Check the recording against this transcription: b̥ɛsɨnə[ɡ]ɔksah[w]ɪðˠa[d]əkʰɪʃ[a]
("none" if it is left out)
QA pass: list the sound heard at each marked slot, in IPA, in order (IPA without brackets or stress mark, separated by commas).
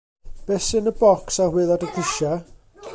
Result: b, w, d, a